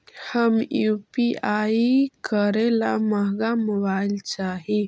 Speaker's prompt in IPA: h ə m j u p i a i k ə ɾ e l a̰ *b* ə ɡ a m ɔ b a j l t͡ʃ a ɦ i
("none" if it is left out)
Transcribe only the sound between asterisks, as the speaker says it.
m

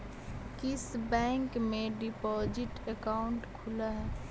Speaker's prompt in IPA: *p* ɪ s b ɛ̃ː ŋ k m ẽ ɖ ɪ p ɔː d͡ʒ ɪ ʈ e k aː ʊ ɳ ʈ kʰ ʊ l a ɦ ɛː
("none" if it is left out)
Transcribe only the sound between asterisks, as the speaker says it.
k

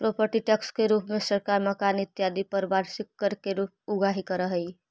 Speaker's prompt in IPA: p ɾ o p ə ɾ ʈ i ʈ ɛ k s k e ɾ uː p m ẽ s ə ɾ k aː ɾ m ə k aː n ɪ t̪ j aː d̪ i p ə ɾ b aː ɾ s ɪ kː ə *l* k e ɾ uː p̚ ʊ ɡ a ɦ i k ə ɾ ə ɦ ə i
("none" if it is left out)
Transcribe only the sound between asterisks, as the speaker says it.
ɾ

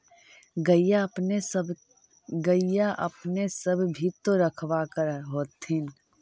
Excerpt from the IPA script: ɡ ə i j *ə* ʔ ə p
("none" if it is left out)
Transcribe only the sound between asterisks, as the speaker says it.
a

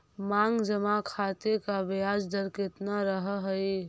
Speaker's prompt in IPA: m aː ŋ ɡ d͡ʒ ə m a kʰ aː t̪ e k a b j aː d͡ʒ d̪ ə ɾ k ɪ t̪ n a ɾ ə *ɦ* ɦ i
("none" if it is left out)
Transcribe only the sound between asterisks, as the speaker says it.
ɦ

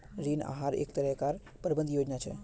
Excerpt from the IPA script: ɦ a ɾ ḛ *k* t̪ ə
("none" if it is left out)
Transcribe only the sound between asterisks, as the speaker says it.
k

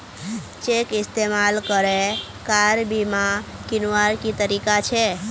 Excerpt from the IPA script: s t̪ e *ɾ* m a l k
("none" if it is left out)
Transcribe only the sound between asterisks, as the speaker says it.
none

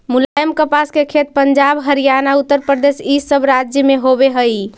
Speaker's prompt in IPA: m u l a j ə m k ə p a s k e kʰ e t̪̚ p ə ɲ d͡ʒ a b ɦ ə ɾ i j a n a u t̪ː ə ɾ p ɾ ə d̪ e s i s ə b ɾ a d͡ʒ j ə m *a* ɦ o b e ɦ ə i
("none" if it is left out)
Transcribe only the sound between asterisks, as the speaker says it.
e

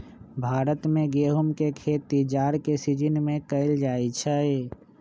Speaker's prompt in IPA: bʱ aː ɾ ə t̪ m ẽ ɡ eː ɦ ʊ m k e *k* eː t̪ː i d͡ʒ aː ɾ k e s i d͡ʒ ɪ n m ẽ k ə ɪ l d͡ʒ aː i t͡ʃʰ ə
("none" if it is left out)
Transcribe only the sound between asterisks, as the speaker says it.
kʰ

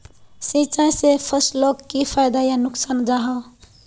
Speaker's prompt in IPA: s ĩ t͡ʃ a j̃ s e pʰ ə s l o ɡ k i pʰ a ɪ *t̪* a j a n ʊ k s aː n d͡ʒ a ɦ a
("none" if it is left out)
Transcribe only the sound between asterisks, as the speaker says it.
d̪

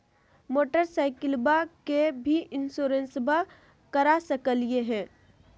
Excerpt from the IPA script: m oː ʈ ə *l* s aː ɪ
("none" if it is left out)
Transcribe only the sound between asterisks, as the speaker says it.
ɾ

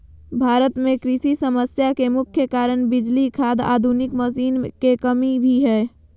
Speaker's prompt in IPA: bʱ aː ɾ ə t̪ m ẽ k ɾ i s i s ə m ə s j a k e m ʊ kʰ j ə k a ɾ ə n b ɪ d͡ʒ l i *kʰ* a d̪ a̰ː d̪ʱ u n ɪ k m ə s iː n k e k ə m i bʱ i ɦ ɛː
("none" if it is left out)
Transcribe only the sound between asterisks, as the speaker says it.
kʰ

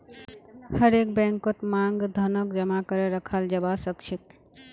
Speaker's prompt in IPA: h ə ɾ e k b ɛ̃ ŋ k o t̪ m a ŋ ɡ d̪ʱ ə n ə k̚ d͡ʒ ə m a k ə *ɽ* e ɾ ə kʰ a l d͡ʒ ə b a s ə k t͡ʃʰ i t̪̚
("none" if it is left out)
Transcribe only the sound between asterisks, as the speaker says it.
ɾ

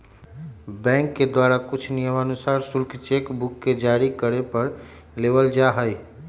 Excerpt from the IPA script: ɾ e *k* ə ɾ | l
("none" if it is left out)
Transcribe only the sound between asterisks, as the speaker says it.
p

